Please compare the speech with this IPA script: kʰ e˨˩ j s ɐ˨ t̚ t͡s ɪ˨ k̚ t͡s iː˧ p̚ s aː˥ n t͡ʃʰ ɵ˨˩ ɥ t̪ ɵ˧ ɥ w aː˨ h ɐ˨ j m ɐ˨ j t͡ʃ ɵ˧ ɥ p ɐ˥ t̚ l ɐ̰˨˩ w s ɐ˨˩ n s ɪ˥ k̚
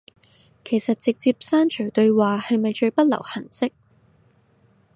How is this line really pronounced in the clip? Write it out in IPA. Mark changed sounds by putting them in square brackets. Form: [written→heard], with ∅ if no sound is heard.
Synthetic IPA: kʰ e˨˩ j s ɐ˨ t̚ t͡s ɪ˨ k̚ t͡s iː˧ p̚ s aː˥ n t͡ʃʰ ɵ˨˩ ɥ t̪ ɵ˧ ɥ w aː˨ h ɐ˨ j m ɐ˨ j t͡ʃ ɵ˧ ɥ p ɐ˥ t̚ l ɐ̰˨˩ w [s→h] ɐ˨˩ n s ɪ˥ k̚